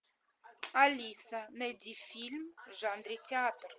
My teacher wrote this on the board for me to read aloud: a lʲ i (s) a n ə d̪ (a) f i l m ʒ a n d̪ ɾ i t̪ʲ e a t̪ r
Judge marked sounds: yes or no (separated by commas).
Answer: yes, no